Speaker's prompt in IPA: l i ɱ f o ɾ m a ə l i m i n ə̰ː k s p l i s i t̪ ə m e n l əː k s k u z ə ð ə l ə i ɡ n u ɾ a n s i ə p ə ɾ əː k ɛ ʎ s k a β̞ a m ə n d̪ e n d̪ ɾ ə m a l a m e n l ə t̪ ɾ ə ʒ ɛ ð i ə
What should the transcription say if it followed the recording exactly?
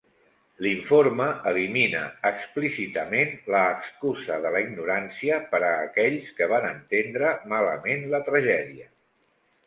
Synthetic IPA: l i ɱ f o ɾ m ə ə l i m i n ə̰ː k s p l i s i t̪ ə m e n l əː k s k u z ə ð ə l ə i ɡ n u ɾ a n s i ə p ə ɾ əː k ɛ ʎ s k ə β̞ a n ə n t̪ e n d̪ ɾ ə m a l ə m e n l ə t̪ ɾ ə ʒ ɛ ð i ə